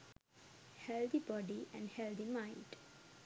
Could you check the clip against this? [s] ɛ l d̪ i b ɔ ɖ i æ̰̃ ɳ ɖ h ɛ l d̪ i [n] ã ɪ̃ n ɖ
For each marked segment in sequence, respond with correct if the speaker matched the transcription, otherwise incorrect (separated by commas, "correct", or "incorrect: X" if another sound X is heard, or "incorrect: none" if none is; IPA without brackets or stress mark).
incorrect: h, incorrect: m